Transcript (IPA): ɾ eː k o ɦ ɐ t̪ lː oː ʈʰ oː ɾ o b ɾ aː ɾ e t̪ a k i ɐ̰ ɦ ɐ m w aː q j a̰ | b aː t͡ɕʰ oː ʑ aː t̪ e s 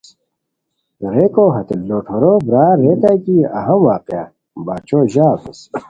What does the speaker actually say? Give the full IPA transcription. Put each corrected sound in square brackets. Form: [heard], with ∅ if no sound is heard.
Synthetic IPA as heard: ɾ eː k o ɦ ɐ t̪ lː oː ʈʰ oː ɾ o b ɾ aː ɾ e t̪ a k i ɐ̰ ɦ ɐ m w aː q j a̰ | b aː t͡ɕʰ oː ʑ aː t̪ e s